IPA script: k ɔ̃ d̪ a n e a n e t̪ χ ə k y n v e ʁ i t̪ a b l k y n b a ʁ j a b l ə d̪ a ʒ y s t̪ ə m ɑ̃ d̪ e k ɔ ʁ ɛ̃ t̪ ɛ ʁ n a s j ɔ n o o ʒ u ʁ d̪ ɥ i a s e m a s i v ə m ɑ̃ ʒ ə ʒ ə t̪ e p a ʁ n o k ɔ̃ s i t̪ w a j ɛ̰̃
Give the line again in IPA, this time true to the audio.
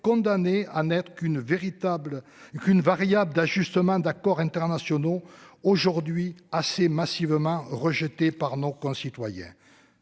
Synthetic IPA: k ɔ̃ d̪ a n e a n ɛ t̪ χ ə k y n v e ʁ i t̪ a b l k y n v a ʁ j a b l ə d̪ a ʒ y s t̪ ə m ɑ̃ d̪ a k ɔ ʁ ɛ̃ t̪ ɛ ʁ n a s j ɔ n o o ʒ u ʁ d̪ ɥ i a s e m a s i v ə m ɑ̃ ʁ ə ʒ ə t̪ e p a ʁ n o k ɔ̃ s i t̪ w a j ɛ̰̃

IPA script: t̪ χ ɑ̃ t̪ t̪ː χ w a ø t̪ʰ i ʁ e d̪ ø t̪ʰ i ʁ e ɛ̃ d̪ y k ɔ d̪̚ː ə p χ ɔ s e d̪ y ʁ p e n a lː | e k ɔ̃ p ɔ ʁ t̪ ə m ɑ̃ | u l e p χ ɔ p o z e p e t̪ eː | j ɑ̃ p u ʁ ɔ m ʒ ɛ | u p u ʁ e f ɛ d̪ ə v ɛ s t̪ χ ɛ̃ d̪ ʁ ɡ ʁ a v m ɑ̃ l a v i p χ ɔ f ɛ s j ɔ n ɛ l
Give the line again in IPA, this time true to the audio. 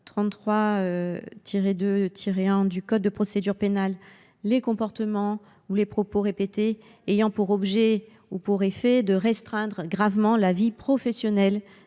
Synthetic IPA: t̪ χ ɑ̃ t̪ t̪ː χ w a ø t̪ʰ i ʁ e d̪ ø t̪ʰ i ʁ e ɛ̃ d̪ y k ɔ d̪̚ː ə p χ ɔ s e d̪ y ʁ p e n a lː | e k ɔ̃ p ɔ ʁ t̪ ə m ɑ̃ | u l e p χ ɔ p o ʁ e p e t̪ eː | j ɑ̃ p u ʁ ɔ b ʒ ɛ | u p u ʁ e f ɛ d̪ ə ʁ ɛ s t̪ χ ɛ̃ d̪ ʁ ɡ ʁ a v m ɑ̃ l a v i p χ ɔ f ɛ s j ɔ n ɛ l

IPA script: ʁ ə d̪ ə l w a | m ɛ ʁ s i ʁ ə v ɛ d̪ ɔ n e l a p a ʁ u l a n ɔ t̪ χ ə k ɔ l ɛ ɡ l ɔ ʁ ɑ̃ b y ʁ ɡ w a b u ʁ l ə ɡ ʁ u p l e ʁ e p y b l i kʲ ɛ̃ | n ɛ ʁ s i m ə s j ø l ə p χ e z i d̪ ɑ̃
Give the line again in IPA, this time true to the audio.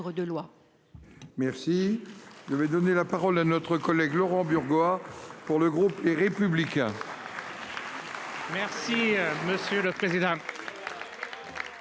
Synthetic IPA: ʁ ə d̪ ə l w a | m ɛ ʁ s i ʒ ə v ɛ d̪ ɔ n e l a p a ʁ ɔ l a n ɔ t̪ χ ə k ɔ l ɛ ɡ l ɔ ʁ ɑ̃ b y ʁ ɡ w a p u ʁ l ə ɡ ʁ u p l e ʁ e p y b l i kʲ ɛ̃ | m ɛ ʁ s i m ə s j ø l ə p χ e z i d̪ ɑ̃

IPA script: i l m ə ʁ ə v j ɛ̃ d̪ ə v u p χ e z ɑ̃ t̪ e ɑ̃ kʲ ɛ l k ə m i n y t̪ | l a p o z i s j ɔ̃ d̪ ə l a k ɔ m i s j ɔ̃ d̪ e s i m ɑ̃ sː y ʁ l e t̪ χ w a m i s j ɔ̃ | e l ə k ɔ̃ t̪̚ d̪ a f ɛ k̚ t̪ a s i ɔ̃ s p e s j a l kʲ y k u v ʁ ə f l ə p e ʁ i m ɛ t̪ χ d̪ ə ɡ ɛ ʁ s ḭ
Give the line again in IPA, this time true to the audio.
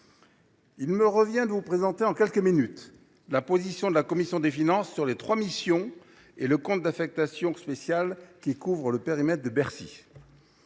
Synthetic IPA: i l m ə ʁ ə v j ɛ̃ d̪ ə v u p χ e z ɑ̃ t̪ e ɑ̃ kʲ ɛ l k ə m i n y t̪ | l a p o z i s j ɔ̃ d̪ ə l a k ɔ m i s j ɔ̃ d̪ e f i n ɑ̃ sː y ʁ l e t̪ χ w a m i s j ɔ̃ | e l ə k ɔ̃ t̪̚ d̪ a f ɛ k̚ t̪ a s j ɔ̃ s p e s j a l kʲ i k u v ʁ ə l ə p e ʁ i m ɛ t̪ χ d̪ ə b ɛ ʁ s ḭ

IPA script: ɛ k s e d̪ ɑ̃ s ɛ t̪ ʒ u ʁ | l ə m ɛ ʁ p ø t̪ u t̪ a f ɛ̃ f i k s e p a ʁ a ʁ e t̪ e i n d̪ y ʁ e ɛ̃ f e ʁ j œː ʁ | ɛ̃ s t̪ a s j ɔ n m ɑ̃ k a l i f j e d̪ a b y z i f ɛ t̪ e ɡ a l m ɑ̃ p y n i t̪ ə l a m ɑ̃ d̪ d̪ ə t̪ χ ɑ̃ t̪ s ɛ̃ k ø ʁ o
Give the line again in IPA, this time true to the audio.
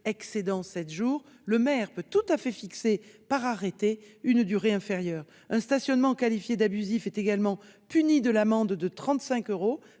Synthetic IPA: ɛ k s e d̪ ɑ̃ s ɛ t̪ ʒ u ʁ | l ə m ɛ ʁ p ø t̪ u t̪ a f ɛ f i k s e p a ʁ a ʁ e t̪ e y n d̪ y ʁ e ɛ̃ f e ʁ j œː ʁ | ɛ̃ s t̪ a s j ɔ n m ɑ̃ k a l i f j e d̪ a b y z i f ɛ t̪ e ɡ a l m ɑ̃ p y n i d̪ ə l a m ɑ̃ d̪ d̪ ə t̪ χ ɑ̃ t̪ s ɛ̃ k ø ʁ o

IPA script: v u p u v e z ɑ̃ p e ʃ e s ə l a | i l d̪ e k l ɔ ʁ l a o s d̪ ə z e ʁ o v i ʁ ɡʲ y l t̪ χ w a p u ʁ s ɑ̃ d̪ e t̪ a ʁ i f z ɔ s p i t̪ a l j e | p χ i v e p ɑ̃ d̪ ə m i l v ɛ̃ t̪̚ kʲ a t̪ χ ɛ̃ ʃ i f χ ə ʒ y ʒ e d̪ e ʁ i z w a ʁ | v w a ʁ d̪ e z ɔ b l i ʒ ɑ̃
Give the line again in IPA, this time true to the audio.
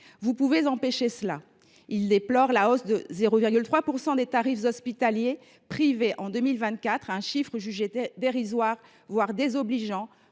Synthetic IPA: v u p u v e z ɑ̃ p e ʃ e s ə l a | i l d̪ e p l ɔ ʁ l a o s d̪ ə z e ʁ o v i ʁ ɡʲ y l t̪ χ w a p u ʁ s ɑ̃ d̪ e t̪ a ʁ i f z ɔ s p i t̪ a l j e | p χ i v e ʔ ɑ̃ d̪ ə m i l v ɛ̃ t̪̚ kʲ a t̪ χ ɛ̃ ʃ i f χ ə ʒ y ʒ e d̪ e ʁ i z w a ʁ | v w a ʁ d̪ e z ɔ b l i ʒ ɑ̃

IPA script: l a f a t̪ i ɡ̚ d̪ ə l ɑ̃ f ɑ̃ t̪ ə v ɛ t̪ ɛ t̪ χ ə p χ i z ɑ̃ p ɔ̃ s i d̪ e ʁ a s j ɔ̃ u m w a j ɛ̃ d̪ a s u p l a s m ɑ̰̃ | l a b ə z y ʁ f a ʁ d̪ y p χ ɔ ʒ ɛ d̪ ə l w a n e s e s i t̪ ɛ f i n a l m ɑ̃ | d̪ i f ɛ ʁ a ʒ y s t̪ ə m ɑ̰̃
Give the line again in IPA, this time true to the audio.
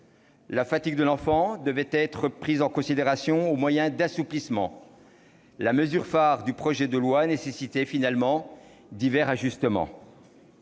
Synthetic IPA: l a f a t̪ i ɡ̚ d̪ ə l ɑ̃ f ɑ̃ d̪ ə v ɛ t̪ ɛ t̪ χ ə p χ i z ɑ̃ k ɔ̃ s i d̪ e ʁ a s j ɔ̃ o m w a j ɛ̃ d̪ a s u p l i s m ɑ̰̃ | l a m ə z y ʁ f a ʁ d̪ y p χ ɔ ʒ ɛ d̪ ə l w a n e s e s i t̪ ɛ f i n a l m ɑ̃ | d̪ i v ɛ ʁ a ʒ y s t̪ ə m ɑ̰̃

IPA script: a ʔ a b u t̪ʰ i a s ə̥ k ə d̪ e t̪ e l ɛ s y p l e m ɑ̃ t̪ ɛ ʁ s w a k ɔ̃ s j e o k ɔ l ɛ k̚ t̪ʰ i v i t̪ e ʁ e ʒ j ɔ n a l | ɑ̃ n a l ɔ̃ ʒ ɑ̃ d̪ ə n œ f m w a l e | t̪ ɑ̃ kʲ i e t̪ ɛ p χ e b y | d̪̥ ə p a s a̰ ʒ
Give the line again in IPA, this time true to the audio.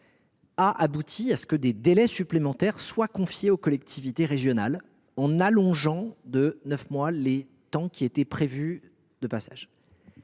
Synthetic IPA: a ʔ a b u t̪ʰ i a s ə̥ k ə d̪ e d̪ e l ɛ s y p l e m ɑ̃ t̪ ɛ ʁ s w a k ɔ̃ f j e o k ɔ l ɛ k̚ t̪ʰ i v i t̪ e ʁ e ʒ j ɔ n a l | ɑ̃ n a l ɔ̃ ʒ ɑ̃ d̪ ə n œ f m w a l e | t̪ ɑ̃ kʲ i e t̪ ɛ p χ e v y | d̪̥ ə p a s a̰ ʒ

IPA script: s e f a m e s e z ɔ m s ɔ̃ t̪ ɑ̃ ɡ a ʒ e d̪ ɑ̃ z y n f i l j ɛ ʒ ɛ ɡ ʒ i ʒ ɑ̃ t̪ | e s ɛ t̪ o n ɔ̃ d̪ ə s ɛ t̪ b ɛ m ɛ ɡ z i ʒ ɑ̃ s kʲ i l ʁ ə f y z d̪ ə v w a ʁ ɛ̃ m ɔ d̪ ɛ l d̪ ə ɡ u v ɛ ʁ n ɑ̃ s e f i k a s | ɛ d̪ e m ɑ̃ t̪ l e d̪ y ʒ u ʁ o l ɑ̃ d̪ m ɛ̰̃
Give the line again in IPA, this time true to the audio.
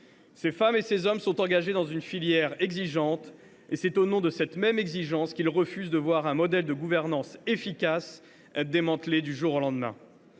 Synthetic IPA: s e f a m e s e z ɔ m s ɔ̃ t̪ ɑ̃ ɡ a ʒ e d̪ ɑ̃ z y n f i l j ɛ ʁ ɛ ɡ z i ʒ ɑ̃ t̪ | e s ɛ t̪ o n ɔ̃ d̪ ə s ɛ t̪ m ɛ m ɛ ɡ z i ʒ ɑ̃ s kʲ i l ʁ ə f y z d̪ ə v w a ʁ ɛ̃ m ɔ d̪ ɛ l d̪ ə ɡ u v ɛ ʁ n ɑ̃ s e f i k a s | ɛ d̪ e m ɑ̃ t̪ l e d̪ y ʒ u ʁ o l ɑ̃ d̪ m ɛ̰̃

